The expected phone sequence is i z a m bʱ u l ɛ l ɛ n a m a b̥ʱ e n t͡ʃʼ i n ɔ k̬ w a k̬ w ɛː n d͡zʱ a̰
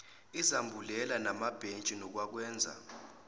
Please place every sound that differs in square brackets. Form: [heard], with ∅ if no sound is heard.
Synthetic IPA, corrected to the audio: i z a m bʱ u l ɛ l [a] n a m a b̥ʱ e n t͡ʃʼ i n ɔ k̬ w a k̬ w ɛː n d͡zʱ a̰